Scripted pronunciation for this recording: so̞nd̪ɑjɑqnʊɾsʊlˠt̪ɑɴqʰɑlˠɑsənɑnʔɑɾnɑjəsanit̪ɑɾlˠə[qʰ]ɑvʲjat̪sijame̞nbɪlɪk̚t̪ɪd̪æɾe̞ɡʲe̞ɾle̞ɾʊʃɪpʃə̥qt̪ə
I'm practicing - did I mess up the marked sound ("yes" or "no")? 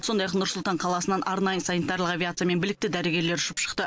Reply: yes